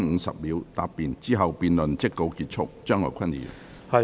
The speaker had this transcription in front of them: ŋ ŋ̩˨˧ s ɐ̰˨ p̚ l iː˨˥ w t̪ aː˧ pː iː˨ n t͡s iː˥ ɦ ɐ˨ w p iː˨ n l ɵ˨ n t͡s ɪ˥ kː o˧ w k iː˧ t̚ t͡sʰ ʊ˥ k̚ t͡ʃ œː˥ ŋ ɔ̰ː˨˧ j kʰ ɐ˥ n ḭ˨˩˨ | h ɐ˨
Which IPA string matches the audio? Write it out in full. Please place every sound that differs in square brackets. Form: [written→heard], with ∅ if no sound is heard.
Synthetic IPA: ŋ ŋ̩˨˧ s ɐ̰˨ p̚ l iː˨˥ w t̪ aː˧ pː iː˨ n t͡s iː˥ ɦ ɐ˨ w p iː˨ n l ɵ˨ n t͡s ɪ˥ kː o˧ w k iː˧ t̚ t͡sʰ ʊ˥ k̚ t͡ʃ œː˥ ŋ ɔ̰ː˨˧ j kʰ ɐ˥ n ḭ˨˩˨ | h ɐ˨